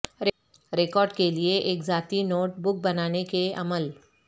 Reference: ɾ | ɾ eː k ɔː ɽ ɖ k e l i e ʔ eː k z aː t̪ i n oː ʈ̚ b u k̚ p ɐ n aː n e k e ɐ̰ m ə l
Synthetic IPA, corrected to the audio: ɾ | ɾ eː k ɔː ɾ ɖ k e l i e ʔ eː k z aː t̪ i n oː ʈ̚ b ʊ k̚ b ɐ n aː n e k e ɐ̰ m ə l